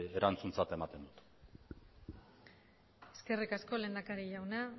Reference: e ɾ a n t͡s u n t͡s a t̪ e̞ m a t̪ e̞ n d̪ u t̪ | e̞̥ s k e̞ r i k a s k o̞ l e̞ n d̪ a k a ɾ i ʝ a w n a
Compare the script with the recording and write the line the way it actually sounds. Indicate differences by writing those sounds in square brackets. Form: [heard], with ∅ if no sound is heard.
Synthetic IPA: e ɾ a n t͡s u n t͡s a t̪ e̞ m a t̪ e̞ n d̪ u t̪ | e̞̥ s k e̞ r i k a s k o̞ l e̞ n d̪ a k a ɾ i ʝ a w n a